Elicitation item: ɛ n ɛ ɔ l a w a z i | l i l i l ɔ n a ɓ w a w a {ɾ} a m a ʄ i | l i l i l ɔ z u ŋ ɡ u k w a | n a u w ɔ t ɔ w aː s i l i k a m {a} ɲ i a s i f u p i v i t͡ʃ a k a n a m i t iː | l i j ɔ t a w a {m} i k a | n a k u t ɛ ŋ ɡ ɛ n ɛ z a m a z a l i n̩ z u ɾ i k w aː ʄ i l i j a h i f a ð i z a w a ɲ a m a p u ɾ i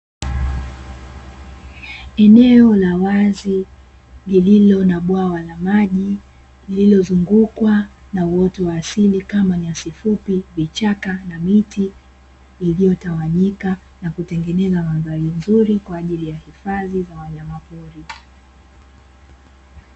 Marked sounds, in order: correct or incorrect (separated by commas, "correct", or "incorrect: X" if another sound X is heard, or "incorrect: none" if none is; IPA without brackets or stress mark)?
incorrect: l, correct, incorrect: ɲ